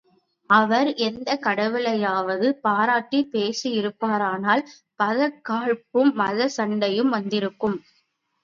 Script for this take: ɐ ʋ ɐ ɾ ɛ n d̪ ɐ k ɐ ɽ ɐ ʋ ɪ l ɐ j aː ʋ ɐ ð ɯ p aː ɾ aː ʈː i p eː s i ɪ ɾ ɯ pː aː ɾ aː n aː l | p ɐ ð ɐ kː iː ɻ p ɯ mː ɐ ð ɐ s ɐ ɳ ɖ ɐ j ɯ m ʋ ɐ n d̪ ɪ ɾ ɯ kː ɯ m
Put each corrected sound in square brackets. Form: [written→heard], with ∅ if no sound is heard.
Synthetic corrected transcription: ɐ ʋ ɐ ɾ ɛ n d̪ ɐ k ɐ ɽ ɐ ʋ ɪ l ɐ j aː ʋ ɐ ð ɯ p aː ɾ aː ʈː i p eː s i ɪ ɾ ɯ pː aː ɾ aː n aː l | p ɐ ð ɐ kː [iː→aː] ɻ p ɯ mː ɐ ð ɐ s ɐ ɳ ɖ ɐ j ɯ m ʋ ɐ n d̪ ɪ ɾ ɯ kː ɯ m